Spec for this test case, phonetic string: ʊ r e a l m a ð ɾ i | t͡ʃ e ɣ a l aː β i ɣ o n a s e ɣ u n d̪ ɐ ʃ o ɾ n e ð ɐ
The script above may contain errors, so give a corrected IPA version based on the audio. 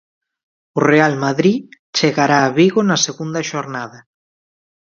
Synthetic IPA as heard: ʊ r e a l m a ð ɾ i | t͡ʃ e ɣ a ɾ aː β i ɣ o n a s e ɣ u n d̪ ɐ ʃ o ɾ n a ð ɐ